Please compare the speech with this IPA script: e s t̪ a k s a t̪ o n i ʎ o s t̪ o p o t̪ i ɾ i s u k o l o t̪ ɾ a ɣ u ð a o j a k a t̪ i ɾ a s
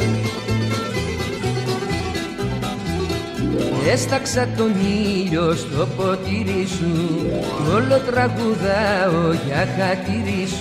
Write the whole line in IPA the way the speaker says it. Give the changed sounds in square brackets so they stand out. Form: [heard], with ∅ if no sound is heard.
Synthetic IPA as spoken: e s t̪ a k s a t̪ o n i ʎ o s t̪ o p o t̪ i ɾ i s u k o l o t̪ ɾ a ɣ u ð a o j a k a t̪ i ɾ [i] s